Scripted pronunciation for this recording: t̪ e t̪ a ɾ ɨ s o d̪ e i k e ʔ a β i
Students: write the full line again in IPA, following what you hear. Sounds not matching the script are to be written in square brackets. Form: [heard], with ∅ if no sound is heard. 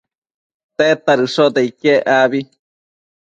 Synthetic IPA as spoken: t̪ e t̪ a ɾ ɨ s o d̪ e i k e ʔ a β i

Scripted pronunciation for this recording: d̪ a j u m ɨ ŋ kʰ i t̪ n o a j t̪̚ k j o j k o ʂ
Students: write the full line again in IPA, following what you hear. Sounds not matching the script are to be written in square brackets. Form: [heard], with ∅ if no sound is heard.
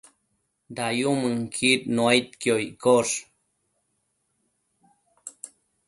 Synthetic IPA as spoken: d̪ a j u m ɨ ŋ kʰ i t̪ n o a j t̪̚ k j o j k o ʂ

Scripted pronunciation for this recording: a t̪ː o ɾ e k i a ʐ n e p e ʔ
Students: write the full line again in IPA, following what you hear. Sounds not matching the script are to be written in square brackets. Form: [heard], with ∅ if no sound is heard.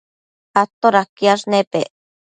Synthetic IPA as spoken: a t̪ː o ɾ [a] k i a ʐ n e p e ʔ

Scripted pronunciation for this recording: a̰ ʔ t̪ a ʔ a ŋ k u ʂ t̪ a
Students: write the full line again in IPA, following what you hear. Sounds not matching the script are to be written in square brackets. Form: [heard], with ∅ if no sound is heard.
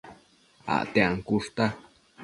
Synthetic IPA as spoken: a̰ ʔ t̪ [e] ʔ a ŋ k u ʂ t̪ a

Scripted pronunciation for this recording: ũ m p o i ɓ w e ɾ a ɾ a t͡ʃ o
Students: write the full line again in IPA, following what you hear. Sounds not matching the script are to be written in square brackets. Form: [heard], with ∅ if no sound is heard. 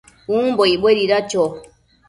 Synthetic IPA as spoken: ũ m [b] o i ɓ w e ɾ [i] ɾ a t͡ʃ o

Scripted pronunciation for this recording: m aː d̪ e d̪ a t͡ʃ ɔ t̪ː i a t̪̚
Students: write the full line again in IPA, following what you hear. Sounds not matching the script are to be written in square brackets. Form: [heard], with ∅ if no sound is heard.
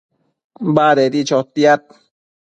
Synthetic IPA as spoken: [b] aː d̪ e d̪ [i] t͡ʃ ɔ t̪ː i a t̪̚

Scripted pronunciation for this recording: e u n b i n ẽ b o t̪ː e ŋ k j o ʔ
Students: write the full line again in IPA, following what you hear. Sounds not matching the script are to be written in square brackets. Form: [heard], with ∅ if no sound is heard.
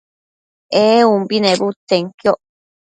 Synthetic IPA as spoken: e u [m] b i n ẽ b [u] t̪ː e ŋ k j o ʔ

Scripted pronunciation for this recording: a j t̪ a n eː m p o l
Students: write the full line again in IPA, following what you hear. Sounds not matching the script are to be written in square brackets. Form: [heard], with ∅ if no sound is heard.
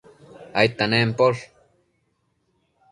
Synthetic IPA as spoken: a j t̪ a n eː m p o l

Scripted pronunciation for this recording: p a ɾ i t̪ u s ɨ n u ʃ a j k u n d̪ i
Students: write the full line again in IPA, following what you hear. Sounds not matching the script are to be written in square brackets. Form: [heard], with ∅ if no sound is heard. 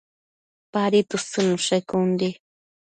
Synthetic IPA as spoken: p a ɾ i t̪ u s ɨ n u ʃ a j k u n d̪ i

